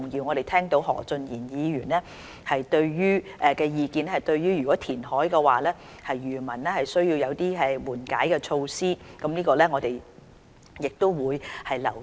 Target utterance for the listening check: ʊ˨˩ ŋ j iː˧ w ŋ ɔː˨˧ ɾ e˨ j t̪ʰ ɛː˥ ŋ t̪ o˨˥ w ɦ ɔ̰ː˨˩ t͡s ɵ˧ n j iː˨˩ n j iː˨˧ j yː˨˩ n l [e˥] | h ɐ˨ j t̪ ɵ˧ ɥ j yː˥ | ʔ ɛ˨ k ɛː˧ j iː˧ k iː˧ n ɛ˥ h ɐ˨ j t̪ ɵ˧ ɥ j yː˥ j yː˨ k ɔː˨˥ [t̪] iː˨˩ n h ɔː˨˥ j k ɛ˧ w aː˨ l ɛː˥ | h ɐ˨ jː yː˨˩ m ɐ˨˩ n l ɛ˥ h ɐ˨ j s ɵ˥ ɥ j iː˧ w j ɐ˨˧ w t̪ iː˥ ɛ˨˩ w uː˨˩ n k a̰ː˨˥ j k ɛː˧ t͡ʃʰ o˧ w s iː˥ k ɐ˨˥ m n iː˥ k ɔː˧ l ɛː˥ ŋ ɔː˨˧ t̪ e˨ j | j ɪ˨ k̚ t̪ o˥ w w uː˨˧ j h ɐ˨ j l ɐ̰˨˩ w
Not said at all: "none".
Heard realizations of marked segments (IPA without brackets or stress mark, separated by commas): ɛ˥, t̪ʰ